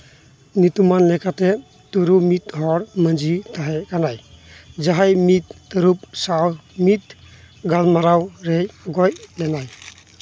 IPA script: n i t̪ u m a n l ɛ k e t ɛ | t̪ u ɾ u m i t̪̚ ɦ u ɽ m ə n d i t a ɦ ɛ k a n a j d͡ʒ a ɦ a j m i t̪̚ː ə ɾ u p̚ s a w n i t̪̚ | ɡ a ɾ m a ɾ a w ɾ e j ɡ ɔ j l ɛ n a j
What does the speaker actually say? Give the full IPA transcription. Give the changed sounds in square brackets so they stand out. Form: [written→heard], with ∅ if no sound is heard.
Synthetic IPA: n i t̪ u m a n l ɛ k [e→a] t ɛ | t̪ u ɾ u m i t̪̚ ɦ [u→ɔ] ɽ m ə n [d→d͡ʒ] i t a ɦ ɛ k a n a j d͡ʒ a ɦ a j m i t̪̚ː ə ɾ u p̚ s a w [n→m] i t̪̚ | ɡ a [ɾ→l] m a ɾ a w ɾ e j ɡ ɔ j l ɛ n a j

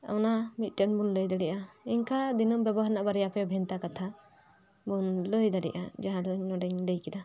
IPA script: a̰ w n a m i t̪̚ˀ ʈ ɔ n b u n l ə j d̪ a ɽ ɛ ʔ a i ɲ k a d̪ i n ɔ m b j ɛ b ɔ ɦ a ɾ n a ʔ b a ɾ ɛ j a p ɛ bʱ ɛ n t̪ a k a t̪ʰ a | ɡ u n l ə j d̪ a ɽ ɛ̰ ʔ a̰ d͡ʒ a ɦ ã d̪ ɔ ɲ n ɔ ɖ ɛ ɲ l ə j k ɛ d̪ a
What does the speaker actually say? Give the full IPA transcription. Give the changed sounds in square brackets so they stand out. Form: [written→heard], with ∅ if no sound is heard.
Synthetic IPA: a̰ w n a m i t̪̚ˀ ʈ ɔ n b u n l ə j d̪ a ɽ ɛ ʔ a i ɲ k a d̪ i n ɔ m b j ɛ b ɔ ɦ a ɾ n a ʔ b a ɾ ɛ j a p ɛ bʱ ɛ n t̪ a k a t̪ʰ a | [ɡ→b] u n l ə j d̪ a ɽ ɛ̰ ʔ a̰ d͡ʒ a ɦ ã d̪ ɔ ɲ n ɔ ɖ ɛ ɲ l ə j k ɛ d̪ a

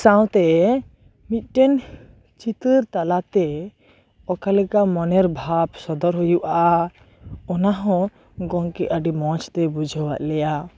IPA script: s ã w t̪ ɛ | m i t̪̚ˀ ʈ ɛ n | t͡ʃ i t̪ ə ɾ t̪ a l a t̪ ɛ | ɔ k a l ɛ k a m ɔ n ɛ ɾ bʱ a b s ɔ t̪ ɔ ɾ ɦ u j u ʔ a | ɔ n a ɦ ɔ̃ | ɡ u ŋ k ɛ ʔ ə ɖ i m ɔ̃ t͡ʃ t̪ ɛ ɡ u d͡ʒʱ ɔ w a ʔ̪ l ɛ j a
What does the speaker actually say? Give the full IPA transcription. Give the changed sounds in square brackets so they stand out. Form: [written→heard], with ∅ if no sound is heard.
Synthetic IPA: s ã w t̪ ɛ | m i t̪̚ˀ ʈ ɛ n | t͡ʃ i t̪ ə ɾ t̪ a l a t̪ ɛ | ɔ k a l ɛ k a m ɔ n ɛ ɾ bʱ a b s ɔ [t̪→d̪] ɔ ɾ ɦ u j u ʔ a | ɔ n a ɦ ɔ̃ | ɡ [u→ɔ] ŋ k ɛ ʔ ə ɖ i m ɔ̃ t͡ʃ t̪ ɛ [ɡ→b] u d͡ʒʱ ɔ w a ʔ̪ l ɛ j a

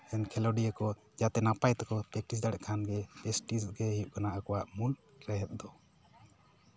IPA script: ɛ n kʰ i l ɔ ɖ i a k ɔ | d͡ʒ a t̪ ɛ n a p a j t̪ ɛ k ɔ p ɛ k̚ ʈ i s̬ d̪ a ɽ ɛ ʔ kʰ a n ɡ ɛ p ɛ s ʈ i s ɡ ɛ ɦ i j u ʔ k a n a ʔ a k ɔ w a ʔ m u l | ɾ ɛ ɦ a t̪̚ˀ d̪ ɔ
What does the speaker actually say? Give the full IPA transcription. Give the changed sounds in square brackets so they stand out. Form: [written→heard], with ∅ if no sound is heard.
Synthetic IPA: ɛ n kʰ [i→ɛ] l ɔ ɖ i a k ɔ | d͡ʒ a t̪ ɛ n a p a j t̪ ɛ k ɔ p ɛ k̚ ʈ i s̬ d̪ a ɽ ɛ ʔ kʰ a n ɡ ɛ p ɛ s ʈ i s ɡ ɛ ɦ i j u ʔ k a n a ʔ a k ɔ w a ʔ m u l | ɾ ɛ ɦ [a→ɛ] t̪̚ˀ d̪ ɔ

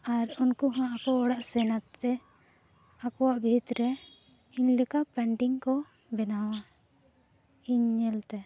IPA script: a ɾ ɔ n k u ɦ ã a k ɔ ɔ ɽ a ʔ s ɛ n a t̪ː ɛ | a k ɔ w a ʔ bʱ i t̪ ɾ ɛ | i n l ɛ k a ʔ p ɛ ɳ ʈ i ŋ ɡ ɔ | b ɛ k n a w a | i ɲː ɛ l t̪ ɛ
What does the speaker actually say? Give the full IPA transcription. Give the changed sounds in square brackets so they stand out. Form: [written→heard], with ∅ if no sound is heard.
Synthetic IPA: a ɾ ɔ n k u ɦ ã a k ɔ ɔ ɽ a ʔ s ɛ n a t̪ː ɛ | a k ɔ w a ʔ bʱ i t̪ ɾ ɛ | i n l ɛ k a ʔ p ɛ ɳ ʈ i ŋ [ɡ→k] ɔ | b ɛ [k→∅] n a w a | i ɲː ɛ l t̪ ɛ

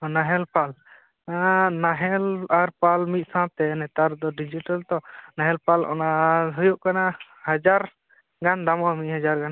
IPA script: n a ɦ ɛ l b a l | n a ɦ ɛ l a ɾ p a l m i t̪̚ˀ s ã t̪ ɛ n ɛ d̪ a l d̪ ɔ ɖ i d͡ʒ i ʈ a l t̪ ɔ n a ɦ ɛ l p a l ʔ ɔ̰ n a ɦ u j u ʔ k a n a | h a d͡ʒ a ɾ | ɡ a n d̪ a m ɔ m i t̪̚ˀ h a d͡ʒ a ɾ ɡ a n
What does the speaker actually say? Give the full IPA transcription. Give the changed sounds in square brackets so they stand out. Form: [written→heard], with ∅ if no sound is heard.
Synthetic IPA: n a ɦ ɛ l [b→p] a l | n a ɦ ɛ l a ɾ p a l m i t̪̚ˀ s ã t̪ ɛ n ɛ [d̪→t̪] a [l→ɾ] d̪ ɔ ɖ i d͡ʒ i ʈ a l t̪ ɔ n a ɦ ɛ l p a l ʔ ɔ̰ n a ɦ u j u ʔ k a n a | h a d͡ʒ a ɾ | ɡ a n d̪ a m ɔ m i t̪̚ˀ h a d͡ʒ a ɾ ɡ a n

